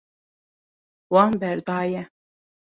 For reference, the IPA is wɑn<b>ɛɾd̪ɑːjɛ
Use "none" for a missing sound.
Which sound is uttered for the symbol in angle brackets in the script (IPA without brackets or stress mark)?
b